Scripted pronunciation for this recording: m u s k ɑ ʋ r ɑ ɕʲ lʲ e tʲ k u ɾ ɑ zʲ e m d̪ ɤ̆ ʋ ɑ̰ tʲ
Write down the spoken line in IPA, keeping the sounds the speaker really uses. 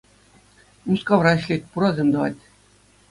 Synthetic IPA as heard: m u s k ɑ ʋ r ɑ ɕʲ lʲ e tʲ p u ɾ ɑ zʲ e m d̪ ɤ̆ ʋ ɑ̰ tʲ